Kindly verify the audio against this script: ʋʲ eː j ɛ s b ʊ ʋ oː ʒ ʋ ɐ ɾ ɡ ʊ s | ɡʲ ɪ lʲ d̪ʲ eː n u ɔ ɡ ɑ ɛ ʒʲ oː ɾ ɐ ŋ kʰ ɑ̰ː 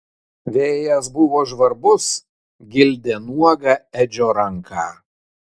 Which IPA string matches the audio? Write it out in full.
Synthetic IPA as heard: ʋʲ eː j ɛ s b ʊ ʋ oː ʒ ʋ ɐ ɾ b ʊ s | ɡʲ ɪ lʲ d̪ʲ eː n u ɔ ɡ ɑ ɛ d͡ʒʲ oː ɾ ɐ ŋ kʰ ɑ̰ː